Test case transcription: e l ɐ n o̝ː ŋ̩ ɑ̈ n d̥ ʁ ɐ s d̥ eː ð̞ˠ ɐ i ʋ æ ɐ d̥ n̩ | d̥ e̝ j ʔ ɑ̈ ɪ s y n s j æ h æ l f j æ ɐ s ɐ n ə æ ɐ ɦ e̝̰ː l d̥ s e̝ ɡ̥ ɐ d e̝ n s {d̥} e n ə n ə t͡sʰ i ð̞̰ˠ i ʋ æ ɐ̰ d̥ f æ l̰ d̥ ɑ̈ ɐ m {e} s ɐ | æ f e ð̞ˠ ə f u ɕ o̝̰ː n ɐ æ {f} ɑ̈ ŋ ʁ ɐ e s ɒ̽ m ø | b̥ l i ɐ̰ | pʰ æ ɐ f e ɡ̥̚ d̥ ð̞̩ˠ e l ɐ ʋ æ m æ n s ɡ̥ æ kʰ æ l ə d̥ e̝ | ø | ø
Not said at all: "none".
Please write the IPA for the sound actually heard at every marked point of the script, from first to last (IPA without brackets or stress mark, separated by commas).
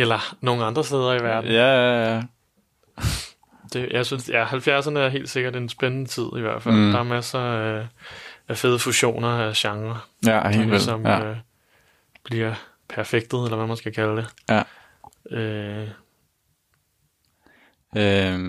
b̥, æ, ɕ